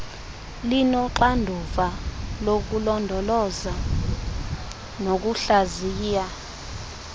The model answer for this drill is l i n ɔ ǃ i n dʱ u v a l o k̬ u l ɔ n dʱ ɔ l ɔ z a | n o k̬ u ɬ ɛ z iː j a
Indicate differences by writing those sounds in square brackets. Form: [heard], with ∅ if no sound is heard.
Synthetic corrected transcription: l i n ɔ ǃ [a] n dʱ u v a l o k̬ u l ɔ n dʱ ɔ l ɔ z a | n o k̬ u ɬ [a] z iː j a